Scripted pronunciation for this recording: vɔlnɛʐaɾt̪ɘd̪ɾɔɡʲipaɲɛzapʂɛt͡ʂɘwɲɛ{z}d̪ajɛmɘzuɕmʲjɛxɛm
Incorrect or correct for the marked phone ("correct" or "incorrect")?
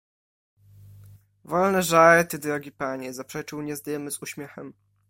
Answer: correct